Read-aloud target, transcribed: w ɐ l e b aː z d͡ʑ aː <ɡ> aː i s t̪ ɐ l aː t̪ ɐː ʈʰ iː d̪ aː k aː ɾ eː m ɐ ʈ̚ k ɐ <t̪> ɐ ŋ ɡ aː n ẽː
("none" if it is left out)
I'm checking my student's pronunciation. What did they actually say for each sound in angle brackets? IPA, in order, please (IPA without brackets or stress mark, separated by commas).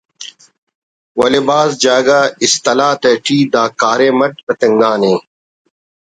ɡ, t̪